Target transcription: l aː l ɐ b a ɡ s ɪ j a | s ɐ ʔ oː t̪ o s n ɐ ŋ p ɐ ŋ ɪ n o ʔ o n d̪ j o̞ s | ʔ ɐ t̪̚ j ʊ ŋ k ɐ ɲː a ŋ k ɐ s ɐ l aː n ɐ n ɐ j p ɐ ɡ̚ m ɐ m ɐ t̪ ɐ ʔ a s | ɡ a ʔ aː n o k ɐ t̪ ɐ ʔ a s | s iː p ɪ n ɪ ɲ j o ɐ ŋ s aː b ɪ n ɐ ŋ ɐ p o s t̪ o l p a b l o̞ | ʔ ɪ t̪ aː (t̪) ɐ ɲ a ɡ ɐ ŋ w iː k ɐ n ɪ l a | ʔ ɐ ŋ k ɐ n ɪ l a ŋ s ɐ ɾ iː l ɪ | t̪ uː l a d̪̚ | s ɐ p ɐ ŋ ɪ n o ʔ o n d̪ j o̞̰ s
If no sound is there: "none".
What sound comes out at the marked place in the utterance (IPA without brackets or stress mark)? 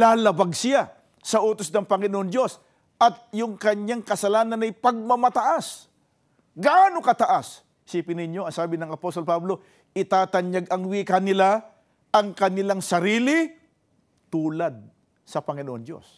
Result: t̪